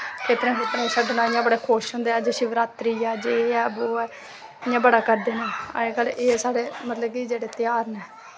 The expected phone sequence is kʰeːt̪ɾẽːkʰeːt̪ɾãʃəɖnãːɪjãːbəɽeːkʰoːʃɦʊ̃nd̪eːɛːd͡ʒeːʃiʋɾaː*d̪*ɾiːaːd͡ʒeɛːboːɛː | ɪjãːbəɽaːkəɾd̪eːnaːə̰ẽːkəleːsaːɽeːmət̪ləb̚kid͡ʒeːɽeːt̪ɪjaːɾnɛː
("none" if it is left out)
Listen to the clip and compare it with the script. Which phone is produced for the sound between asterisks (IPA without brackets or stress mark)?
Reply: t̪